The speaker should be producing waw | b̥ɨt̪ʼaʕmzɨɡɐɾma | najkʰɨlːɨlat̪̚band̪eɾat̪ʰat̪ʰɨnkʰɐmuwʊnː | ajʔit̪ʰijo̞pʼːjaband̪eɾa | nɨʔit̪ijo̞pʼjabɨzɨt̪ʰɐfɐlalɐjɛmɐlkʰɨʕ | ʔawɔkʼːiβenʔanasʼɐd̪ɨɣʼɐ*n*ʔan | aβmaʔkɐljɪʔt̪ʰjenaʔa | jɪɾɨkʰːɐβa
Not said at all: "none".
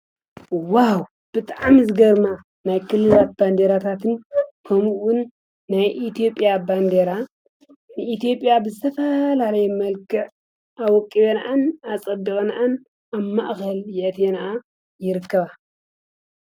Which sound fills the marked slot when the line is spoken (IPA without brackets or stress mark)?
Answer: n